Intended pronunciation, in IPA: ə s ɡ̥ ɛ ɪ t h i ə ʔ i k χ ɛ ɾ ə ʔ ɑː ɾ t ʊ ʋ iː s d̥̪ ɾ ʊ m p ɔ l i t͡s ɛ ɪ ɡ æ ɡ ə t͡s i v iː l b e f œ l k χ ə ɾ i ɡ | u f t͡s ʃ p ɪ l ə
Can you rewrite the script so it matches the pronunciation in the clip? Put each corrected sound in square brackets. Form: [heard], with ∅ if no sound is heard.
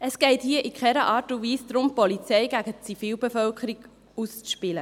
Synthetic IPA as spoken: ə s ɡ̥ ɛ ɪ t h i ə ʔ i k χ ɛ ɾ ə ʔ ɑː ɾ t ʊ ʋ iː s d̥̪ ɾ ʊ m p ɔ l i t͡s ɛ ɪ ɡ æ ɡ ə t͡s i [f] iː l b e f œ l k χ ə ɾ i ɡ | u [s] t͡s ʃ p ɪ l ə